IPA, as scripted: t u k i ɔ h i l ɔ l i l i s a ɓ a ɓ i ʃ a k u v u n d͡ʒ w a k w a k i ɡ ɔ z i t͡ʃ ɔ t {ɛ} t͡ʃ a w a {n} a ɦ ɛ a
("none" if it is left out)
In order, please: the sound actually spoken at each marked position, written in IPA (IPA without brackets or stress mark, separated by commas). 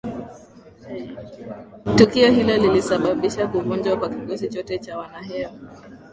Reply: ɛ, n